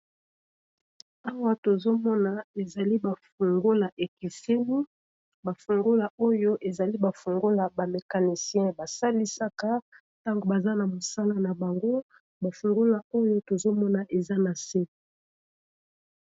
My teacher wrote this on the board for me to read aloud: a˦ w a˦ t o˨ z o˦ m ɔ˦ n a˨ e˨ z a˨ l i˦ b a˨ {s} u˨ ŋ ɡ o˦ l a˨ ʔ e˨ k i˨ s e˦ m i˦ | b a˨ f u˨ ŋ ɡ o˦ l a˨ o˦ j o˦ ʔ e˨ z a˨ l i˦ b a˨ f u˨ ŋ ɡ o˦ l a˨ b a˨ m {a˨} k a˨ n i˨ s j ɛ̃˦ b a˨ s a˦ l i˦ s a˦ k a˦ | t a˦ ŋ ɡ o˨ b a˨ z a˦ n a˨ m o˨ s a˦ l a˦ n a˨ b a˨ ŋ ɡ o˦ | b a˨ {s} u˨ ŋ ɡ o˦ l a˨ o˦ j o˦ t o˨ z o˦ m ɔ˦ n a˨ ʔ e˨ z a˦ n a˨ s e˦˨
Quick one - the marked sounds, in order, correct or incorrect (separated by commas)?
incorrect, incorrect, incorrect